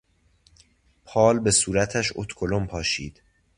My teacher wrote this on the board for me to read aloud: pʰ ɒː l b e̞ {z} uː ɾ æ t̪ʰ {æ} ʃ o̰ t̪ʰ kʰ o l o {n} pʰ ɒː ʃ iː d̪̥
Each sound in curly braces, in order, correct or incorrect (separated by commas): incorrect, correct, incorrect